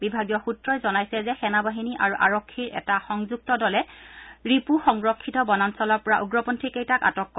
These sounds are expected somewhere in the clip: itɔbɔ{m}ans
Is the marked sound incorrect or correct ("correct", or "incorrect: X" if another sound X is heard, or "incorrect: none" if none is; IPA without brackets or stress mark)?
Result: incorrect: n